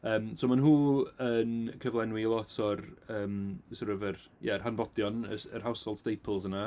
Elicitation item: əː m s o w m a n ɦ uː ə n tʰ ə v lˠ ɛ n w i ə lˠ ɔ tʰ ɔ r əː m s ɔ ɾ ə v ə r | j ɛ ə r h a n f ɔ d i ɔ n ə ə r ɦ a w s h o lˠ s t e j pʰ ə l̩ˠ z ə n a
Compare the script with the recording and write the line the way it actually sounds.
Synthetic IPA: əː m s o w m a n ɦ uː ə n kʰ ə v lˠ ɛ n w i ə lˠ ɔ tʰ ɔ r əː m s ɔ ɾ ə v ə r | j ɛ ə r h a n v ɔ d j ɔ n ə ə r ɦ a w s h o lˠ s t e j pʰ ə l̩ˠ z ə n a